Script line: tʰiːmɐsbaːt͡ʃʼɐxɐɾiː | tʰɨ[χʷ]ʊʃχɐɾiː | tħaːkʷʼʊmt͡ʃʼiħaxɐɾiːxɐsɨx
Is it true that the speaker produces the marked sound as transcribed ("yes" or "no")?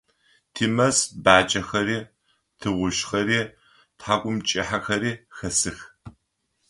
no